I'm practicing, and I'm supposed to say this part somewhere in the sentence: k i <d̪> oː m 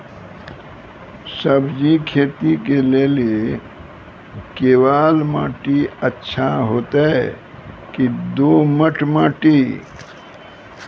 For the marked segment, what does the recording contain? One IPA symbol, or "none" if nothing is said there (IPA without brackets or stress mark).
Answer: d̪